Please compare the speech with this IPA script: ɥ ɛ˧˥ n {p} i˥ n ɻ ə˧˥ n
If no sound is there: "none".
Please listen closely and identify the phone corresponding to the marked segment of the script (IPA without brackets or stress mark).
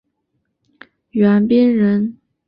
p